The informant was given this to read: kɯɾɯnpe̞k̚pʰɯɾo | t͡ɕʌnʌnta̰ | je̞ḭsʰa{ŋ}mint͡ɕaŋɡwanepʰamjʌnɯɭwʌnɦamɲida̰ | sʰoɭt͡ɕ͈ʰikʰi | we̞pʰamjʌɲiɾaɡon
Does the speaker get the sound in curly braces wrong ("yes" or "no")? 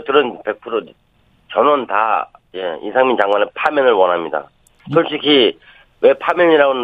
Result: no